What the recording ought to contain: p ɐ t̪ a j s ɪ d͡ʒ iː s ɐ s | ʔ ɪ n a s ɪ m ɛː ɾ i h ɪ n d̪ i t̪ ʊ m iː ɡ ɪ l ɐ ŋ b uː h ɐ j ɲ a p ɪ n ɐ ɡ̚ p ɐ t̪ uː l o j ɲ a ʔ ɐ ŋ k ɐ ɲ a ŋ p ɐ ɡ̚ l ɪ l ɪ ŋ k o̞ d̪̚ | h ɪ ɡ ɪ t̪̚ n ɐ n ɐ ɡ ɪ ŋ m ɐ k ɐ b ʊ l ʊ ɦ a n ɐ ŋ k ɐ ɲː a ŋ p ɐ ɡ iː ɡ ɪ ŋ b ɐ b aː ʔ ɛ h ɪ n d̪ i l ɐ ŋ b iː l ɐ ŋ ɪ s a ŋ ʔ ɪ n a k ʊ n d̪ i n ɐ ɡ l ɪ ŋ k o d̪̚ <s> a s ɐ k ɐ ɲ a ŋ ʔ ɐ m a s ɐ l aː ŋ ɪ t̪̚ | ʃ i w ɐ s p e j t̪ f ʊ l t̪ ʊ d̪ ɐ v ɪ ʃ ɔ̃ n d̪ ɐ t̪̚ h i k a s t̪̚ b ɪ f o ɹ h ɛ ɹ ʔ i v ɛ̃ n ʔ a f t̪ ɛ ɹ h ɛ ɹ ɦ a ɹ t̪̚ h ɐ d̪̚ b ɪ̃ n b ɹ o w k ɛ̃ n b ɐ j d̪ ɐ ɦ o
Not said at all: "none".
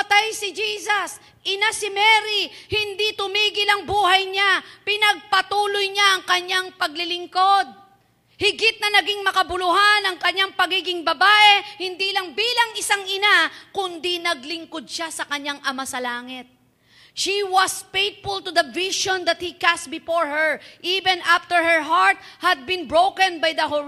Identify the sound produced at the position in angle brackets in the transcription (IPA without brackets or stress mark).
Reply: ʃ